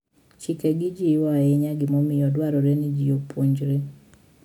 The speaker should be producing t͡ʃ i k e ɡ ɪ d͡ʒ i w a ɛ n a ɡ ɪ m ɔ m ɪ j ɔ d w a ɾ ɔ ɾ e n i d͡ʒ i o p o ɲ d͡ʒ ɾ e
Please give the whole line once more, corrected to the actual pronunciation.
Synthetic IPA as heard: t͡ʃ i k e ɡ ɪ d͡ʒ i w a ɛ ɲ a ɡ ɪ m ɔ m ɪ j ɔ d w a ɾ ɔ ɾ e n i d͡ʒ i o p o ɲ d͡ʒ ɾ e

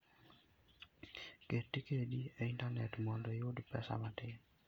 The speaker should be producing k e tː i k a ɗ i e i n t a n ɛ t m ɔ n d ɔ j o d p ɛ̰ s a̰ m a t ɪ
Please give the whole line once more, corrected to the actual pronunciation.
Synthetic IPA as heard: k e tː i k e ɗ i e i n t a n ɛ t m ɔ n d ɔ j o d p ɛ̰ s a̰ m a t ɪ

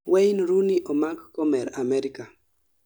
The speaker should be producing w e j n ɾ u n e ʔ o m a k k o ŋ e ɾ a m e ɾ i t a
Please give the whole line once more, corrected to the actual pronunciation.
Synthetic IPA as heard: w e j n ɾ u n i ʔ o m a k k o m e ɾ a m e ɾ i k a

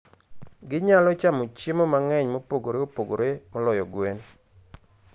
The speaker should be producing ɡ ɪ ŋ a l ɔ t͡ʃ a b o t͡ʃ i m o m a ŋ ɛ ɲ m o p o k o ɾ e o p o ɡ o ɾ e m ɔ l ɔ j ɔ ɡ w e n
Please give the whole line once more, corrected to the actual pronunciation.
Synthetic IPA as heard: ɡ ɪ ɲ a l ɔ t͡ʃ a m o t͡ʃ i m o m a ŋ ɛ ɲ m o p o ɡ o ɾ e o p o ɡ o ɾ e m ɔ l ɔ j ɔ ɡ w e n

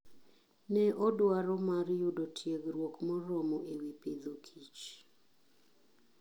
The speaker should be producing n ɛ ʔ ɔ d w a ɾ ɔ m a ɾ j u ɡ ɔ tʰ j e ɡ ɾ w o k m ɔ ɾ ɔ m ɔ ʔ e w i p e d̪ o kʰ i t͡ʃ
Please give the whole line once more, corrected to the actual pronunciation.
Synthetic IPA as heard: n ɛ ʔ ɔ d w a ɾ ɔ m a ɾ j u d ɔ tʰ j e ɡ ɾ w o k m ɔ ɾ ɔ m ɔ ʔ e w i p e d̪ o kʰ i t͡ʃ

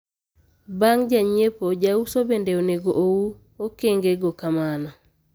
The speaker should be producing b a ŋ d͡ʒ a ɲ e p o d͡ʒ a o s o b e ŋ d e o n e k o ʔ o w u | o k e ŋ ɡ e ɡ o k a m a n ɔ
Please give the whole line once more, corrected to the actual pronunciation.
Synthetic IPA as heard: b a ŋ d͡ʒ a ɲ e p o d͡ʒ a u s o b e n d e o n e ɡ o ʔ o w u | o k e ŋ ɡ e ɡ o k a m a n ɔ

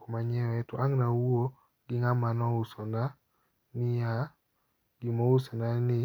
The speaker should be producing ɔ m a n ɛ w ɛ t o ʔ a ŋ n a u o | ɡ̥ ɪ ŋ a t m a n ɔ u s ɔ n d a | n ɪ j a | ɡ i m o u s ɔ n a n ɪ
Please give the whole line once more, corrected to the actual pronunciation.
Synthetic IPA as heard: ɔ m a ɲ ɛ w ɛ t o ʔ a ŋ n a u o | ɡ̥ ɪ ŋ a m a n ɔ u s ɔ n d a | n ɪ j a | ɡ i m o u s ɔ n a n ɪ

